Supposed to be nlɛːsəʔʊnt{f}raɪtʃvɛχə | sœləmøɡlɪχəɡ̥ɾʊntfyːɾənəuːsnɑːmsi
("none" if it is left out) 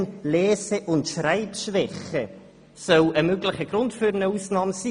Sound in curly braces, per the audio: ʃ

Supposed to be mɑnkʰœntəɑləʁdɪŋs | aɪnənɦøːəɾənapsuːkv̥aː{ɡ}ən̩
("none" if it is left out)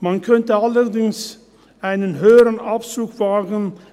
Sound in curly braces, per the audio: ɡ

